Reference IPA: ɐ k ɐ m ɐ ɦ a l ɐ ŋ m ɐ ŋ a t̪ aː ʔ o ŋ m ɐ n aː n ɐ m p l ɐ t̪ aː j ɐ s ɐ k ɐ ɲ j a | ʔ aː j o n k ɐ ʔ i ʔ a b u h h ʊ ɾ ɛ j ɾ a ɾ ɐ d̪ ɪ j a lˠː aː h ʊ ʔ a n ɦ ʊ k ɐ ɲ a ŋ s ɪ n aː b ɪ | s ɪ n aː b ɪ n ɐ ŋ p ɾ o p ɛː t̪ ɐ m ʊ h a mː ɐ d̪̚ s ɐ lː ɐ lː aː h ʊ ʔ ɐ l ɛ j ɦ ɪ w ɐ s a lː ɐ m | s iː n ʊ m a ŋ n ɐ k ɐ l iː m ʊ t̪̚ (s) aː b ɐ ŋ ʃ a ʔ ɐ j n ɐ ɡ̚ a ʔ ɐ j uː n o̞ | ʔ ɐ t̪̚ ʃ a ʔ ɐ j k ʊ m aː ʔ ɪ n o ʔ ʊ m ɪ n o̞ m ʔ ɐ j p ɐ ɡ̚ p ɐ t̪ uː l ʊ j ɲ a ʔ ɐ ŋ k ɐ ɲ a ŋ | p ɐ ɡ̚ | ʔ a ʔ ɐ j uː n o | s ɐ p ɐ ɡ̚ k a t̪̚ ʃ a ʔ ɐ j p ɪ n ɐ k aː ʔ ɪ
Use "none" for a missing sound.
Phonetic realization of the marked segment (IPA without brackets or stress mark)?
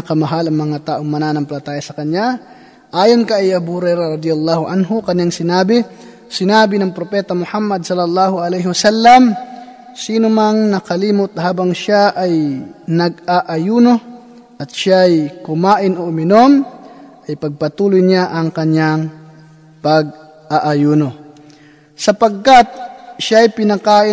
h